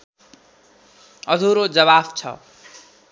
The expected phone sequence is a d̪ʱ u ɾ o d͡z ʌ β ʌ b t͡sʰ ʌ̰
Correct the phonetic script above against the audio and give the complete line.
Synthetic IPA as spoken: ʌ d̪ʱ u ɾ o d͡z ʌ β a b t͡sʰ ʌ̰